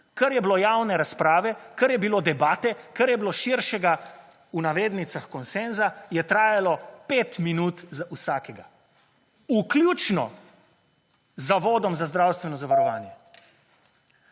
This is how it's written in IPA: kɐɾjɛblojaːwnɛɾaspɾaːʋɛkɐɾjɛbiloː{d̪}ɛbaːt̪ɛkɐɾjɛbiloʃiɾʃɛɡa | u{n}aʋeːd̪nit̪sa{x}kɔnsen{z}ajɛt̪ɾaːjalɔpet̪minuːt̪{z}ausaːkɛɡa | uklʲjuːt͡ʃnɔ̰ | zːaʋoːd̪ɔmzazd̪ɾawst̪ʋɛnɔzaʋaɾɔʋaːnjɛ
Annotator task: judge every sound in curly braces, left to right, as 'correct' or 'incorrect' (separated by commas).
correct, correct, correct, correct, correct